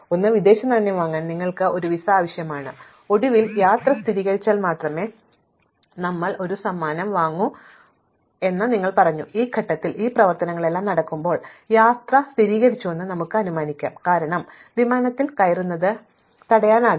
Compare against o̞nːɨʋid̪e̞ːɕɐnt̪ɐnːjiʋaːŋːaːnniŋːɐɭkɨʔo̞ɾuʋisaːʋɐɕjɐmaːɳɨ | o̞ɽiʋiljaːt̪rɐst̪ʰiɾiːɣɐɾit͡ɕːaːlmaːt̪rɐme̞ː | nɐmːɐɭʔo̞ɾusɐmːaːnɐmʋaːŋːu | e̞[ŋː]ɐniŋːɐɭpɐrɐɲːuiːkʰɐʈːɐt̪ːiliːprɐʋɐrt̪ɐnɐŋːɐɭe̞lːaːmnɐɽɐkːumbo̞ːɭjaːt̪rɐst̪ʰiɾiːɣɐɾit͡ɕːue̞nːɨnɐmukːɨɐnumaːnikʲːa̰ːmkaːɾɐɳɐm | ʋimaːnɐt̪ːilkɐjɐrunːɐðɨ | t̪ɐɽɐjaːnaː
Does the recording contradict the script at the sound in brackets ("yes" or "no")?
yes